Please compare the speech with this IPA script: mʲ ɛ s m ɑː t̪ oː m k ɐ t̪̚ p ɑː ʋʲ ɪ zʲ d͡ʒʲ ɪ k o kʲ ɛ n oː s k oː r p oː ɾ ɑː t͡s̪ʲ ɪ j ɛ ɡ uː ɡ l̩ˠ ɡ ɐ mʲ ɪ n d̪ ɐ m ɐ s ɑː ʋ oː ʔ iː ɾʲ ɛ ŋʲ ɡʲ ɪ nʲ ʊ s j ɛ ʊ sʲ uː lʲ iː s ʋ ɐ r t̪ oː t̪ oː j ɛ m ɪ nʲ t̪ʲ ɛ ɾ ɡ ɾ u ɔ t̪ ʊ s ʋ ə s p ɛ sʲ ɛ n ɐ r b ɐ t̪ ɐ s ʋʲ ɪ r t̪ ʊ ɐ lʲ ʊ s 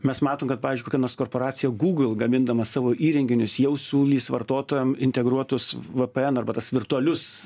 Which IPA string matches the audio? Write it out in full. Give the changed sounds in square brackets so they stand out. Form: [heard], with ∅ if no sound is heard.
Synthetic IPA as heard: mʲ ɛ s m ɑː t̪ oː m k ɐ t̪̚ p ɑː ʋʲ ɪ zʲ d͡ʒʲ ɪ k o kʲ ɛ n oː s k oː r p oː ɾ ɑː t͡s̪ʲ ɪ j ɛ ɡ uː ɡ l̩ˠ ɡ ɐ mʲ ɪ n d̪ ɐ m ɐ s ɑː ʋ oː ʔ iː ɾʲ ɛ ŋʲ ɡʲ ɪ nʲ ʊ s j ɛ ʊ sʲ uː lʲ iː s ʋ ɐ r t̪ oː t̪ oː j ɛ m ɪ nʲ t̪ʲ ɛ [∅] ɡ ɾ u ɔ t̪ ʊ s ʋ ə [∅] p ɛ [∅] ɛ n ɐ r b ɐ t̪ ɐ s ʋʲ ɪ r t̪ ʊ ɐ lʲ ʊ s